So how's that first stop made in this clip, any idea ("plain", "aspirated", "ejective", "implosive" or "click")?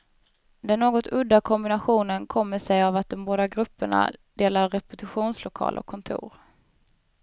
plain